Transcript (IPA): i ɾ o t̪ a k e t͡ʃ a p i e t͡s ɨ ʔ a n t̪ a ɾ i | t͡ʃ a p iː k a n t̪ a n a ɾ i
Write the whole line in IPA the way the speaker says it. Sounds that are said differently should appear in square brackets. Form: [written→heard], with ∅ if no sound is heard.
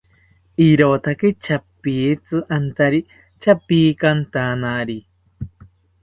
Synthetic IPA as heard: i ɾ o t̪ a k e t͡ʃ a p i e t͡s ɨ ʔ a n t̪ a ɾ i | t͡ʃ a p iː k a n t̪ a n a ɾ i